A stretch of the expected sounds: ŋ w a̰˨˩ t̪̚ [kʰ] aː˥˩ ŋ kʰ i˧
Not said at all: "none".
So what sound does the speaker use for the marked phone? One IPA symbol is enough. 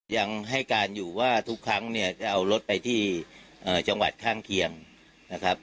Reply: kʰ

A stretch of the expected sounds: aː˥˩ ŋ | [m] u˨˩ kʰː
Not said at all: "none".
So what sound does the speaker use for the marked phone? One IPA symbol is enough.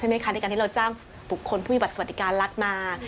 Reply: b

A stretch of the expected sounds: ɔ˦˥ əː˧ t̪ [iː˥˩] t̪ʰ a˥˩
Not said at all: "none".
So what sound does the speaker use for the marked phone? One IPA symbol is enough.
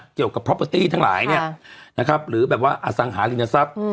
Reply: iː˥˩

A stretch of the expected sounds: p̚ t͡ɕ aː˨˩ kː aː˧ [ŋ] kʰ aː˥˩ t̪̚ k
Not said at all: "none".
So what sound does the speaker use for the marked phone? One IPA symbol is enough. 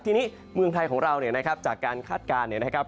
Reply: n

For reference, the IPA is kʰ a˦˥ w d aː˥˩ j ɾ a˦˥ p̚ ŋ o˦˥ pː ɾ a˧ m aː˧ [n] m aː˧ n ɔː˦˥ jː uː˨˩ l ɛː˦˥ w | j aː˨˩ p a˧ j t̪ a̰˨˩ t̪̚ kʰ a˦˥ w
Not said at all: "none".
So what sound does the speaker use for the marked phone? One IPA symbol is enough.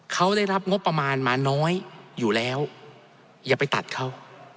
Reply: n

